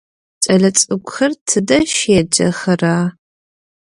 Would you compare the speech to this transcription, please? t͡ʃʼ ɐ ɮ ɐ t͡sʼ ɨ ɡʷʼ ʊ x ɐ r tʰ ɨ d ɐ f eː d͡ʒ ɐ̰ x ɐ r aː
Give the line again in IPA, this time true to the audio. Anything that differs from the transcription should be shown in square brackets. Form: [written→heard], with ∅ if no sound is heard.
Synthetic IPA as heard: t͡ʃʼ ɐ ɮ ɐ t͡sʼ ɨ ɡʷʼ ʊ x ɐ r tʰ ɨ d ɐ [f→ʃ] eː d͡ʒ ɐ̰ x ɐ r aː